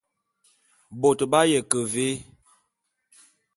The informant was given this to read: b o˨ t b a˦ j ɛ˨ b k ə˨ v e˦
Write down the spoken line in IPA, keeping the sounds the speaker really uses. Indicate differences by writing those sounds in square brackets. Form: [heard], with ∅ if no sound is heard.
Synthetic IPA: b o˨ t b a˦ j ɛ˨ [∅] k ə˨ v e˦